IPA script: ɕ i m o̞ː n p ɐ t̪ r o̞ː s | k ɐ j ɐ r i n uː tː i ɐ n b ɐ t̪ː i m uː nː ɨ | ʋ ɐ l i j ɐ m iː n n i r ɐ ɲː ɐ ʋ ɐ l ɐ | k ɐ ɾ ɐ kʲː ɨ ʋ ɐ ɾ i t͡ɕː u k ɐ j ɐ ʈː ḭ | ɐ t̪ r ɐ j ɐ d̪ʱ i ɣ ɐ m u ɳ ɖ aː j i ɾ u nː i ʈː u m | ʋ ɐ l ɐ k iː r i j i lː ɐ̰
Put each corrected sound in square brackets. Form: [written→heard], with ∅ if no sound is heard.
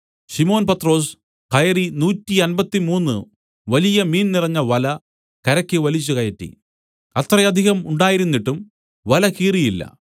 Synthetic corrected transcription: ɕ i m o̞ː n p ɐ t̪ r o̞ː s | k ɐ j ɐ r i n uː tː i ɐ n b ɐ t̪ː i m uː nː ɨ | ʋ ɐ l i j ɐ m iː n n i r ɐ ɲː ɐ ʋ ɐ l ɐ | k ɐ ɾ ɐ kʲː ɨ ʋ ɐ [ɾ→l] i t͡ɕː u k ɐ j ɐ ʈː ḭ | ɐ t̪ r ɐ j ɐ d̪ʱ i ɣ ɐ m u ɳ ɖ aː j i ɾ u nː i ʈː u m | ʋ ɐ l ɐ k iː r i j i lː ɐ̰